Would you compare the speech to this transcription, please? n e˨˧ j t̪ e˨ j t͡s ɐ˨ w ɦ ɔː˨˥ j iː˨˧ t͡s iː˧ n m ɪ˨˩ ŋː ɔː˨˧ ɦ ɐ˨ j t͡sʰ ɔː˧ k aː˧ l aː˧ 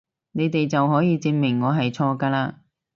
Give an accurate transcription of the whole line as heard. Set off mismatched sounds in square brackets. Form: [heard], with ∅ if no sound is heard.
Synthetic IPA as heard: n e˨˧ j t̪ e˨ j t͡s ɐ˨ w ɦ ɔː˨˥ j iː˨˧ t͡s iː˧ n m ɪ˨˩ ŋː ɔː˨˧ ɦ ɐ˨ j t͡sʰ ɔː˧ k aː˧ l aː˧